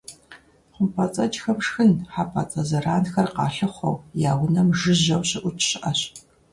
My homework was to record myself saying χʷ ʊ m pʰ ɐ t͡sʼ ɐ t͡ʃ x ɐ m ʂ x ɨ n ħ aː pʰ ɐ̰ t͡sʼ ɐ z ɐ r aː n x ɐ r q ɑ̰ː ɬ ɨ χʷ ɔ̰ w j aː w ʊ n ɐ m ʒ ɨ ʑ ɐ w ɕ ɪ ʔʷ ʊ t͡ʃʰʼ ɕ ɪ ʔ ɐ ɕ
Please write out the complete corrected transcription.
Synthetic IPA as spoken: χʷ ʊ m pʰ ɐ t͡sʼ ɐ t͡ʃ x ɐ m ʂ x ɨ n ħ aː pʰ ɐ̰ t͡sʼ ɐ z ɐ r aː n x ɐ r q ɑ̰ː ɬ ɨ χʷ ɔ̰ w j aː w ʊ n ɐ m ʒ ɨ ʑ ɐ w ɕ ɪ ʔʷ ʊ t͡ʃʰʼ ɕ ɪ ʔ ɐ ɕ